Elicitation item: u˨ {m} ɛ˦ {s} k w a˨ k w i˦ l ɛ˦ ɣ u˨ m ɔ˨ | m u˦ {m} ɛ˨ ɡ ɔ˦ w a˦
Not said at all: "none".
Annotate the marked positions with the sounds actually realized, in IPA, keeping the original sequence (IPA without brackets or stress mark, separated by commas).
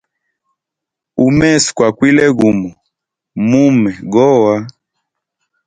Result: m, s, m